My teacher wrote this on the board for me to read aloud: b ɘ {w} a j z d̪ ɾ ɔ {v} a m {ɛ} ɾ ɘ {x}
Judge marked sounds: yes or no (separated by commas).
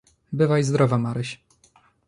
no, yes, no, no